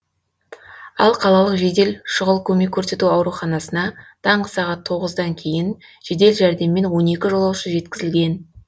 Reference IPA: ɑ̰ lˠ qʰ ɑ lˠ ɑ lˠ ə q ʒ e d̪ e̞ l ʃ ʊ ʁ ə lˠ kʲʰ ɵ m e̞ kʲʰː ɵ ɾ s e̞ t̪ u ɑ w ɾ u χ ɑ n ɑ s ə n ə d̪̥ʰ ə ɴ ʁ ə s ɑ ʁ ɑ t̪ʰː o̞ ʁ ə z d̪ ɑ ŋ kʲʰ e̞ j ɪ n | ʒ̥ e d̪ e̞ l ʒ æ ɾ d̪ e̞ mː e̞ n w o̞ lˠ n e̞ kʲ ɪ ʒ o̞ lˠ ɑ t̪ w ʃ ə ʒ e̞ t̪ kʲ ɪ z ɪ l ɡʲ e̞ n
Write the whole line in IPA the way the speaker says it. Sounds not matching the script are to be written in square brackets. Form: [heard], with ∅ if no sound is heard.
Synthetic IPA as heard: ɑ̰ lˠ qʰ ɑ lˠ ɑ lˠ ə q ʒ e d̪ e̞ l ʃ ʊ ʁ ə lˠ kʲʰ ɵ m e̞ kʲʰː ɵ ɾ s e̞ t̪ u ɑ w ɾ u χ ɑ n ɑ s ə n [ɑ] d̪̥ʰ [ɑ] ɴ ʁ ə s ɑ ʁ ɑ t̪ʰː o̞ ʁ ə z d̪ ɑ ŋ kʲʰ e̞ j ɪ n | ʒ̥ e d̪ e̞ l ʒ æ ɾ d̪ e̞ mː e̞ n w o̞ [∅] n e̞ kʲ ɪ ʒ o̞ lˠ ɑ [∅] w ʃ ə ʒ e̞ t̪ kʲ ɪ z ɪ l ɡʲ e̞ n